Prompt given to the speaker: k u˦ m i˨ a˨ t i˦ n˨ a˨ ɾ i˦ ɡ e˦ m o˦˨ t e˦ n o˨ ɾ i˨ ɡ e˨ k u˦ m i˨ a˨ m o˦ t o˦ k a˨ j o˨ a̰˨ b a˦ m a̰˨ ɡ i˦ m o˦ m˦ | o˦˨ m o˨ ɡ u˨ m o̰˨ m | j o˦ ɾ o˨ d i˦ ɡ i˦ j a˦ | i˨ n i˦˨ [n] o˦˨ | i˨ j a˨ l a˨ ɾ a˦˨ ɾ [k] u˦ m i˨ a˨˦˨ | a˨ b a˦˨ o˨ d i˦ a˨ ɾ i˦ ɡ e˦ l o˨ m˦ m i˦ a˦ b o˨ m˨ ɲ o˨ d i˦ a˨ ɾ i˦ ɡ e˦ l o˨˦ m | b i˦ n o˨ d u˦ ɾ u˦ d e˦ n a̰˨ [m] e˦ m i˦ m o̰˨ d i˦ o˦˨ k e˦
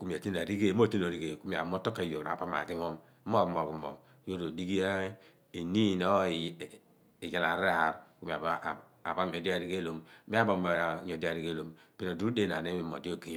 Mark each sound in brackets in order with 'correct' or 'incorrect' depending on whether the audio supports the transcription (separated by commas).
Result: correct, correct, incorrect